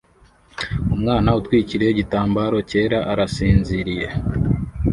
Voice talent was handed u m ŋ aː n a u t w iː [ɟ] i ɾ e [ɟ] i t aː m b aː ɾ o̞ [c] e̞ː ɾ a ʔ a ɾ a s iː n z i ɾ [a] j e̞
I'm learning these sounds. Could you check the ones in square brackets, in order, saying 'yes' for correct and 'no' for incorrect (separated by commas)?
no, yes, yes, no